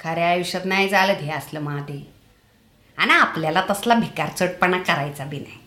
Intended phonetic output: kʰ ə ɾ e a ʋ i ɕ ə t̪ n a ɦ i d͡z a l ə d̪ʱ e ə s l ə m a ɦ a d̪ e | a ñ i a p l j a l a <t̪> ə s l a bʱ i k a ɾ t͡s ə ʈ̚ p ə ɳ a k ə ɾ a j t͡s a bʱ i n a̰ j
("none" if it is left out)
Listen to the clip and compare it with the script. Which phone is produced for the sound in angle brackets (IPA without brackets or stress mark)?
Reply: t̪